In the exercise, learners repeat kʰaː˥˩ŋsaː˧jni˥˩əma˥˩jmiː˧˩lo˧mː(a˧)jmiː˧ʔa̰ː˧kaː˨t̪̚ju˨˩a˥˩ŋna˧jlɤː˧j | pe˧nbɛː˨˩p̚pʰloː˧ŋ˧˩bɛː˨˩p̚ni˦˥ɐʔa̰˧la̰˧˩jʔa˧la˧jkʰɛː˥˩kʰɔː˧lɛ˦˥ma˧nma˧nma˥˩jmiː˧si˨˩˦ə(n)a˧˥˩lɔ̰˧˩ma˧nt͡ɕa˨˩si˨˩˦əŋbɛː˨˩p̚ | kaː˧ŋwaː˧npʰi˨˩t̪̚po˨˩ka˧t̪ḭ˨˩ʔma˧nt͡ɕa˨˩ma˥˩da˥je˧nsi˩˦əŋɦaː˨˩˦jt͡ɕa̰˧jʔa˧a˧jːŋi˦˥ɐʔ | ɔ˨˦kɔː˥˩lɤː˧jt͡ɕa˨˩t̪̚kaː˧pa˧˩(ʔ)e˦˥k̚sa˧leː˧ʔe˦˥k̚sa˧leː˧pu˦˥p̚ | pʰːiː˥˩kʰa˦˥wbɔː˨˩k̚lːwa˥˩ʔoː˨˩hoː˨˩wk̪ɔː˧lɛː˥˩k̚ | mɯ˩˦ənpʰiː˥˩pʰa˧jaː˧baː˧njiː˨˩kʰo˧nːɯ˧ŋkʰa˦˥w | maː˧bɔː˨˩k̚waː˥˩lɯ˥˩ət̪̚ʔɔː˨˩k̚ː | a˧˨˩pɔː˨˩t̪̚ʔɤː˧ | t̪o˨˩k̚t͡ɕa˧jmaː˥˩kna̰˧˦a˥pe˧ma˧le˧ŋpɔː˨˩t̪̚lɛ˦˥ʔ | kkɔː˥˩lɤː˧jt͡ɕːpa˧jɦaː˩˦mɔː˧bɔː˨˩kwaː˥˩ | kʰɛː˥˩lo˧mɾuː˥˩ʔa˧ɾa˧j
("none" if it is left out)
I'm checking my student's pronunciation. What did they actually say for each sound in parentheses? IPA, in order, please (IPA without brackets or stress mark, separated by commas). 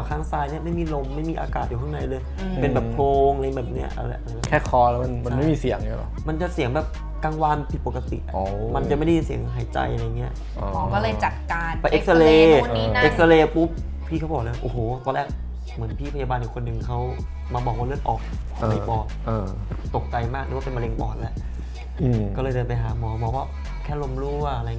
a˥˩, ŋ, ʔ